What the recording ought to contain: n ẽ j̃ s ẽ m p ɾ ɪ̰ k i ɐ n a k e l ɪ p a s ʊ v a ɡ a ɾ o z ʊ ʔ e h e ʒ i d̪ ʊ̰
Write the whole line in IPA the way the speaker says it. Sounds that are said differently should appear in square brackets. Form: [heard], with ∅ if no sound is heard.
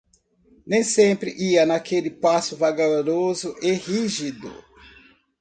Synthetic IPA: n ẽ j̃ s ẽ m p ɾ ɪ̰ [ʔ] i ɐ n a k e l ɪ p a s ʊ v a ɡ a ɾ o z ʊ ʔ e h [i] ʒ i d̪ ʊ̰

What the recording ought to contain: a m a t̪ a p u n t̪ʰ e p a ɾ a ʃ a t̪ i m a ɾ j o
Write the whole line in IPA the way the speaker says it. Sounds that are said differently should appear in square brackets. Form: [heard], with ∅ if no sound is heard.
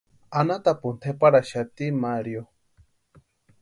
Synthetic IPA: a [n] a t̪ a p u n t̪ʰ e p a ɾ a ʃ a t̪ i m a ɾ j o

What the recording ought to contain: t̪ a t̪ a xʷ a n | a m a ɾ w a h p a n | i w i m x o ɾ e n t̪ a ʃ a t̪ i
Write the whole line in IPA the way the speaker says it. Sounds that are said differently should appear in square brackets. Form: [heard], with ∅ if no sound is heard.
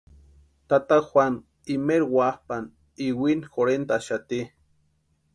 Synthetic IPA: t̪ a t̪ a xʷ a n | [i] m [e] ɾ w a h p a n | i w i [n] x o ɾ e n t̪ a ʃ a t̪ i

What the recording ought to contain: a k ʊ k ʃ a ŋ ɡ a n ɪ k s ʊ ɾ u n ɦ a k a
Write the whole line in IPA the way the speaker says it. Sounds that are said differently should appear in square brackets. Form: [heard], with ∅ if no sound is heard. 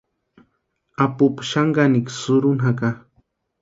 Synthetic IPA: a [p] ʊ [p] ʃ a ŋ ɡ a n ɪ k s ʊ ɾ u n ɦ a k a

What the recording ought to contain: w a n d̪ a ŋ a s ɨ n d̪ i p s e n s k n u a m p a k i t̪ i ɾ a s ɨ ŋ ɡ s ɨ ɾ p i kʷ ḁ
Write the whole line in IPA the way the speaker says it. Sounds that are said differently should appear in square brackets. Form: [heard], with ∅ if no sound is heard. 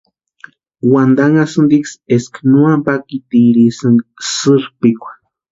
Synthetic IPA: w a n d̪ a ŋ a s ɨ n d̪ i [k] s e [∅] s k n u a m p a k i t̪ i ɾ [i] s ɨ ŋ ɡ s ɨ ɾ p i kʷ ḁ

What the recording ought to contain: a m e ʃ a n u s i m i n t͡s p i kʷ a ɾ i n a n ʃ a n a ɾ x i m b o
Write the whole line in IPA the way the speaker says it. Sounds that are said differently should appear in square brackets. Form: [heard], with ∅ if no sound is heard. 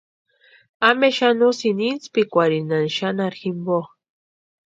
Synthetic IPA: a m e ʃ a n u s i [n] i n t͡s p i kʷ a ɾ i n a n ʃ a n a ɾ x i m b o

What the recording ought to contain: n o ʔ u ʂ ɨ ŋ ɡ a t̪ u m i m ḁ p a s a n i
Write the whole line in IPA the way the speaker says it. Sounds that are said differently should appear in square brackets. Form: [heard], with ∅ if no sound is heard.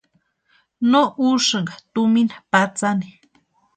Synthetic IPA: n o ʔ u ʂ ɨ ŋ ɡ a t̪ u m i [n] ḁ p a [t͡s] a n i

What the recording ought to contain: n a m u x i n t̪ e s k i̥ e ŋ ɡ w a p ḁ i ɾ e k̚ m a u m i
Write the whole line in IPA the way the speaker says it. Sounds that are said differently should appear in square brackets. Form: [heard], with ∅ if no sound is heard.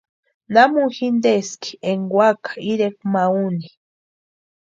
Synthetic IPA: n a m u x i n [d̪] e s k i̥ e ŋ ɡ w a [k] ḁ i ɾ e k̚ m a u [n] i

